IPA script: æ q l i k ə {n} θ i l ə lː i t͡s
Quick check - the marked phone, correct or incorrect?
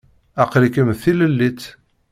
incorrect